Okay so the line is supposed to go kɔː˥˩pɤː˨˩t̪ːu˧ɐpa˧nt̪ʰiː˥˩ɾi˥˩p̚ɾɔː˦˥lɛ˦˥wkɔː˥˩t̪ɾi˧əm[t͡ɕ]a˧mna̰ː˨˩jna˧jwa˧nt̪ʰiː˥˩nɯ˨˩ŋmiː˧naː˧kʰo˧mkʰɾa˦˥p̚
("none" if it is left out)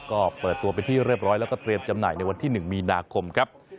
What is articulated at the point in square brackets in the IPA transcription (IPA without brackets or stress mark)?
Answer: t͡ɕ